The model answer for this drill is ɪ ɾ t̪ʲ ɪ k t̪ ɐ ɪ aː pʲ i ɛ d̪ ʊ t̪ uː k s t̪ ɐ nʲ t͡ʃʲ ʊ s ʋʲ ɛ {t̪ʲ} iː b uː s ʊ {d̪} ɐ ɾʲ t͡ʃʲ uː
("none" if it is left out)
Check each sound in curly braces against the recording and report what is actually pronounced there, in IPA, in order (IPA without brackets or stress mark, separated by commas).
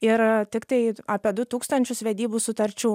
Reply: d̪ʲ, t̪